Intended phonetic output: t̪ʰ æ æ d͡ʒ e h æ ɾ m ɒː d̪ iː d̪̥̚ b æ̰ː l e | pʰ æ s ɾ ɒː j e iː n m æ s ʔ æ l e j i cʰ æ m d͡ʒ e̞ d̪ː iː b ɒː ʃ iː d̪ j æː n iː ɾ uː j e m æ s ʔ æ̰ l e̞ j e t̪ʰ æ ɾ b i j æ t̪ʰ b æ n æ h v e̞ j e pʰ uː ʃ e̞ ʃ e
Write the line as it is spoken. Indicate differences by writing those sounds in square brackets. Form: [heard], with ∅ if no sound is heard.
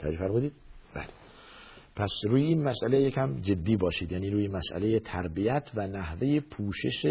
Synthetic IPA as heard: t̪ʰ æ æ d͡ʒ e [f] æ ɾ m [uː] d̪ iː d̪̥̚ b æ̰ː l e | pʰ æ s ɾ [uː] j e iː n m æ s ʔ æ l e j [e] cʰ æ m d͡ʒ e̞ d̪ː iː b ɒː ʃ iː d̪ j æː n iː ɾ uː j e m æ s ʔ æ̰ l e̞ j e t̪ʰ æ ɾ b i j æ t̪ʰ [v] æ n æ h v e̞ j e pʰ uː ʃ e̞ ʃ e